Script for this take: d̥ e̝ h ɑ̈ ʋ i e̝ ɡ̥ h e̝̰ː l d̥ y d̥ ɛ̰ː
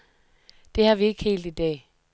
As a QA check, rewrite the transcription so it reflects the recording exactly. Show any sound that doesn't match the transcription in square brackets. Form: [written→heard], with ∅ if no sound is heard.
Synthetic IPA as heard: d̥ e̝ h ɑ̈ ʋ i e̝ ɡ̥ h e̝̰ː l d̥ [y→i] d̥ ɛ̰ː